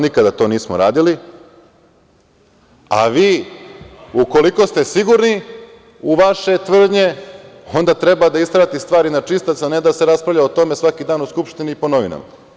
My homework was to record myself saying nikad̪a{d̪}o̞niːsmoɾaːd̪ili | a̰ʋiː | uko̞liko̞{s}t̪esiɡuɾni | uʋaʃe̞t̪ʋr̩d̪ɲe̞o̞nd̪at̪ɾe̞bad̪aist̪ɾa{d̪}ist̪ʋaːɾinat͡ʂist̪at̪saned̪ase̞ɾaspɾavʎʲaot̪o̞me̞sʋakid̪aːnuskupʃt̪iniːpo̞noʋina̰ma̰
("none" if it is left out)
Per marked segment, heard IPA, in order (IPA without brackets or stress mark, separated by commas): t̪, s, t̪